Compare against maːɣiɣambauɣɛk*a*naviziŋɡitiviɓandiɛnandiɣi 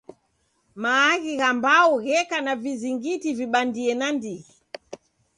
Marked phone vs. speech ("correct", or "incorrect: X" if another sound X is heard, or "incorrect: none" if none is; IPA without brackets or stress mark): correct